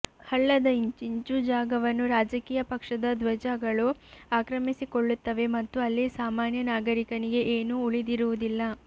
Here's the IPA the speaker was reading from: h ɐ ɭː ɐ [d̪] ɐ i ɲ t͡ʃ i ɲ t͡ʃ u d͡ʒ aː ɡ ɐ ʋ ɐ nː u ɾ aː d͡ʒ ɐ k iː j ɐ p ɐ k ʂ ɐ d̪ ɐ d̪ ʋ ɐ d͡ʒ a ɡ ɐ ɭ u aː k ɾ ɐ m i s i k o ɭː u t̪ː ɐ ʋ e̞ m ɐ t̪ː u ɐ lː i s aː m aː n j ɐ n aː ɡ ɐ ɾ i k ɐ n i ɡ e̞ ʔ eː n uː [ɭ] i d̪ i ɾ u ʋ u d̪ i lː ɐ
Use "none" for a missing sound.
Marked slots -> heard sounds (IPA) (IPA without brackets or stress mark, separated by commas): d̪, ɭ